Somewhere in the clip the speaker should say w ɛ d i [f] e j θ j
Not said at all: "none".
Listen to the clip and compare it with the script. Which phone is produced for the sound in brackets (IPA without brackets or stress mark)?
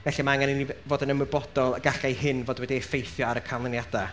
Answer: f